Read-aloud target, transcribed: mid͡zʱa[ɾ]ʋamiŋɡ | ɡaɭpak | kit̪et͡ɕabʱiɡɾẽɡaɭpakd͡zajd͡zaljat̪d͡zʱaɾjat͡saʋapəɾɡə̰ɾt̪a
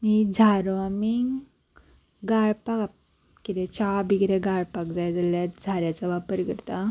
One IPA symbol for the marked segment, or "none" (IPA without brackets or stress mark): ɾ